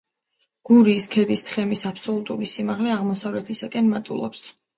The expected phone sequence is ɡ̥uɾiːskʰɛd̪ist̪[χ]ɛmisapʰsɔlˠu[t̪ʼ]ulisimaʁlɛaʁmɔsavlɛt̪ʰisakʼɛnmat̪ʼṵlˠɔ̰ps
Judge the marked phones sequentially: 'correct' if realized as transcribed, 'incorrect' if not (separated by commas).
correct, correct